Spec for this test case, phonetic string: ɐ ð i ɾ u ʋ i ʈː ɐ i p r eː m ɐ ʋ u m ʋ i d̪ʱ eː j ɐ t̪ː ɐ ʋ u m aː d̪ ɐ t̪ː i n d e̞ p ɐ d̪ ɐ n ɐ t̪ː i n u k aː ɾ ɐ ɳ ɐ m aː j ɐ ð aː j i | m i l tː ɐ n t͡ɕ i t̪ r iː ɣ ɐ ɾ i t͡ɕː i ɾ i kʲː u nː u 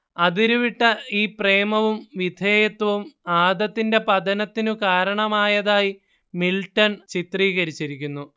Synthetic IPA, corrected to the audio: ɐ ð i ɾ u ʋ i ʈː ɐ iː p r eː m ɐ ʋ u m ʋ i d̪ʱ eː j ɐ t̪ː ɐ ʋ u m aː d̪ ɐ t̪ː i n d e̞ p ɐ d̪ ɐ n ɐ t̪ː i n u k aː ɾ ɐ ɳ ɐ m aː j ɐ ð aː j i | m i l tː ɐ n t͡ɕ i t̪ r iː ɣ ɐ ɾ i t͡ɕː i ɾ i kʲː u nː u